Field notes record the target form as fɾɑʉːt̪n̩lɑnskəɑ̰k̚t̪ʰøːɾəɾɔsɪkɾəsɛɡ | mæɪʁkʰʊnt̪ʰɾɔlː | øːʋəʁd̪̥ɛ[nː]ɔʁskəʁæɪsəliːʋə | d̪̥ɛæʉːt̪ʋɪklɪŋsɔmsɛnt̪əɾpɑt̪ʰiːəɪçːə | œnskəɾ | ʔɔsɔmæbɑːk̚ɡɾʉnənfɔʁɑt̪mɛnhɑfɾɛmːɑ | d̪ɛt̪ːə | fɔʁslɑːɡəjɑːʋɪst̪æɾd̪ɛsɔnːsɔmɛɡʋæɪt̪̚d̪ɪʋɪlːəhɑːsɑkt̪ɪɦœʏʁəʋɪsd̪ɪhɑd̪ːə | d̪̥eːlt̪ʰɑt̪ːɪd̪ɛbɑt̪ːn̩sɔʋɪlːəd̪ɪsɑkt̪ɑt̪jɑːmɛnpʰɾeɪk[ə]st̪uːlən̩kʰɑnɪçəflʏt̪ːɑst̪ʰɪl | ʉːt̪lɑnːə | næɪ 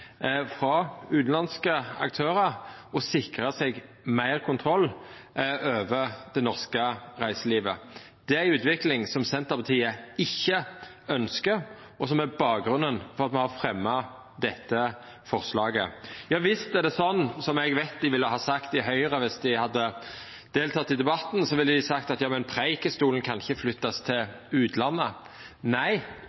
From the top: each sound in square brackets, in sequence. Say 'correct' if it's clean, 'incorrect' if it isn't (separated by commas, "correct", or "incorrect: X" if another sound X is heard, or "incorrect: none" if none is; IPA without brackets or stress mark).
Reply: incorrect: n, correct